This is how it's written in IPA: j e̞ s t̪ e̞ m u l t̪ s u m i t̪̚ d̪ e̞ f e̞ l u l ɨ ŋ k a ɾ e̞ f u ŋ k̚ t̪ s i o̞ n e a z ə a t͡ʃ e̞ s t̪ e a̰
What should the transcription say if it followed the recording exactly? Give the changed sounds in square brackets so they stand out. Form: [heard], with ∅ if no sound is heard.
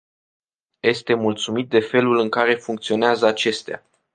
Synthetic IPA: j e̞ s t̪ e̞ m u l t̪ s u m i t̪̚ d̪ e̞ f e̞ l u l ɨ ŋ k a ɾ e̞ f u ŋ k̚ t̪ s i o̞ n e a z ə a t͡ʃ e̞ s t̪ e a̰